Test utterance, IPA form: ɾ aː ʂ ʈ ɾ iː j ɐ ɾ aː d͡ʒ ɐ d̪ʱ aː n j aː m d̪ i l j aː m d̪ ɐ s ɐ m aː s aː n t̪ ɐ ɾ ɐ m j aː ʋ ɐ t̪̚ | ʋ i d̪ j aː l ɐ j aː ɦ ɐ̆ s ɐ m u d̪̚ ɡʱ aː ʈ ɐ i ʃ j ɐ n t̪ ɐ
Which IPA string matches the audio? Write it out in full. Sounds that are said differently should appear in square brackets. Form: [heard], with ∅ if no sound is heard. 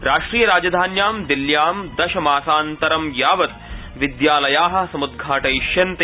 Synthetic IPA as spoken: ɾ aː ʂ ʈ ɾ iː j ɐ ɾ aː d͡ʒ ɐ d̪ʱ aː n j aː m d̪ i l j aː m d̪ ɐ [ʃ] ɐ m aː s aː n t̪ ɐ ɾ ɐ m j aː ʋ ɐ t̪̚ | ʋ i d̪ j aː l ɐ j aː ɦ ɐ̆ s ɐ m u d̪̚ ɡʱ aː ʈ ɐ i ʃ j ɐ n t̪ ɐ